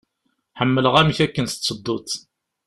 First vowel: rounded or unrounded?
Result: unrounded